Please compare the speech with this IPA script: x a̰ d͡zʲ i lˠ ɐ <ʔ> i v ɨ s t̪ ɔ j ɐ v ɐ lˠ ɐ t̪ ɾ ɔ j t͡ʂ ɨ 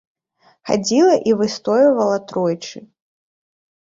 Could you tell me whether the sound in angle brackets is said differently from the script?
no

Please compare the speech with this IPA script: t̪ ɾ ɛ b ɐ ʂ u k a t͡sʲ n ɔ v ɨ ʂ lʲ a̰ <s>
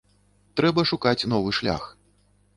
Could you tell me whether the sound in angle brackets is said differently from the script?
yes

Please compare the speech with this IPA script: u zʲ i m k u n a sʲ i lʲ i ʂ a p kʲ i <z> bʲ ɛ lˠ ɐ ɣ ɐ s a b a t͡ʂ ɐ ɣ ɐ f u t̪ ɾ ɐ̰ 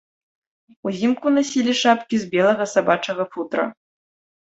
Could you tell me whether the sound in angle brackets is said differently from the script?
no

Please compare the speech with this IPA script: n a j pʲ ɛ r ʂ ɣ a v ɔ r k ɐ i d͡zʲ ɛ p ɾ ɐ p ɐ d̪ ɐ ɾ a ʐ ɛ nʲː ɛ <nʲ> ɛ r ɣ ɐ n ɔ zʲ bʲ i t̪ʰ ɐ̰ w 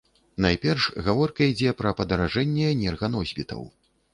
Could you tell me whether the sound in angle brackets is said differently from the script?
no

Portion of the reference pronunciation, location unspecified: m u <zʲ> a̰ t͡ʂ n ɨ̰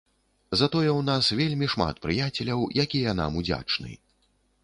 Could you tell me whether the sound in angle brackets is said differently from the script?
yes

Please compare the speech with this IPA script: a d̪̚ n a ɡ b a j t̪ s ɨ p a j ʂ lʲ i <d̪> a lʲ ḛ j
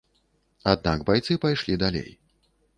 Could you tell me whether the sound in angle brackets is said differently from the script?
no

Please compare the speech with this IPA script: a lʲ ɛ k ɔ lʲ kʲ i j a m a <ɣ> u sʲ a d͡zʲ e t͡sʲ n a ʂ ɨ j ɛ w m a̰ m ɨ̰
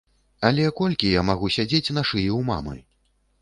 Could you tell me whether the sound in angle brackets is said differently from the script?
no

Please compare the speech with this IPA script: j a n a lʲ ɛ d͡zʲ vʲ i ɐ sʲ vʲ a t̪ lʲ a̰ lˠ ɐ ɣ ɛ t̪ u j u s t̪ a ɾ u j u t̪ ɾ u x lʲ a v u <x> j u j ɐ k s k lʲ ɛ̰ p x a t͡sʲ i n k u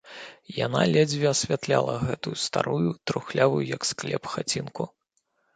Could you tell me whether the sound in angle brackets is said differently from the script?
yes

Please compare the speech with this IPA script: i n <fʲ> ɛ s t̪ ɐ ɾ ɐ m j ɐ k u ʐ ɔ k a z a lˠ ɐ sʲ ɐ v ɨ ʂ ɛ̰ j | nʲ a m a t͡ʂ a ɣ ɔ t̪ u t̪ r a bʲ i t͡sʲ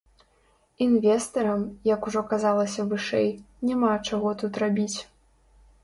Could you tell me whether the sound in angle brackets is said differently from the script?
yes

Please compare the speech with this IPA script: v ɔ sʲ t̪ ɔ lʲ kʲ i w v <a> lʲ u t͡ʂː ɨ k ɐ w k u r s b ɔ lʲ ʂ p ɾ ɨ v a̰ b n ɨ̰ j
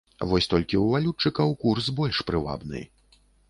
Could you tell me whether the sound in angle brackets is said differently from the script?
no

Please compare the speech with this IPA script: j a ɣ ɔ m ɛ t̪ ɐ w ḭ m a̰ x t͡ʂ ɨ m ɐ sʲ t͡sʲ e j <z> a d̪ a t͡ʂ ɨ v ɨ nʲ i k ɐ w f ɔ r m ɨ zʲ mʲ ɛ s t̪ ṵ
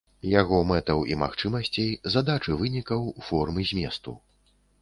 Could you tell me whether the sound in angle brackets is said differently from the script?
no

